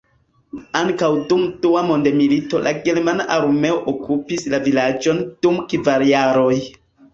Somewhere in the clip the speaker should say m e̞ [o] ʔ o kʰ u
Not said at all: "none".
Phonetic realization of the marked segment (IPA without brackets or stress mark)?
o